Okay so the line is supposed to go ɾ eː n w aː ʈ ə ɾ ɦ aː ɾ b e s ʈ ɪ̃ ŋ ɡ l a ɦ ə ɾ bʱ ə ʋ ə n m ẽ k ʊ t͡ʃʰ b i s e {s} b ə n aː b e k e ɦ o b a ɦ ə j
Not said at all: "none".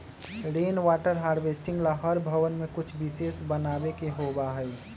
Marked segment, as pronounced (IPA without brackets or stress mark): s